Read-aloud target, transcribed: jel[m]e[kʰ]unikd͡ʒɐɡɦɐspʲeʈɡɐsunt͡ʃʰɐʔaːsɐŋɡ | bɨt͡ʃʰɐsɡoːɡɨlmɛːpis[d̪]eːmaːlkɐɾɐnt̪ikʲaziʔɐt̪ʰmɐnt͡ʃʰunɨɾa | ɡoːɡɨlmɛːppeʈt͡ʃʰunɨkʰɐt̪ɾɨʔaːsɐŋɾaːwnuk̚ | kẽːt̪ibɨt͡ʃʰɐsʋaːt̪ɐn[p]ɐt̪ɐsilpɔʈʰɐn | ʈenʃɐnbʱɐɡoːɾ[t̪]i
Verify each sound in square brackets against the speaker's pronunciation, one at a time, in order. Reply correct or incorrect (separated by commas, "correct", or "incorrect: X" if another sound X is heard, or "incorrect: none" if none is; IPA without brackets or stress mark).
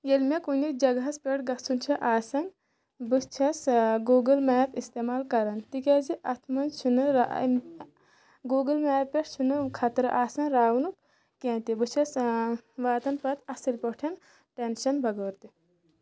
correct, incorrect: k, incorrect: t̪, correct, correct